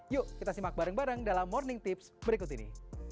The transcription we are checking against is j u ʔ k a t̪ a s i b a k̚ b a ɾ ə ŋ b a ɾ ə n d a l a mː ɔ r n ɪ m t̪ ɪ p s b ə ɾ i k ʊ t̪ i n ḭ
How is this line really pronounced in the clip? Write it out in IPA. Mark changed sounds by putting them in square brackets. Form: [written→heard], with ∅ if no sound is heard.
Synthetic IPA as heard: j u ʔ k [a→i] t̪ a s i [b→m] a k̚ b a ɾ ə ŋ b a ɾ ə [n→ŋ] d a l a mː ɔ r n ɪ [m→ŋ] t̪ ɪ p s b ə ɾ i k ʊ t̪ i n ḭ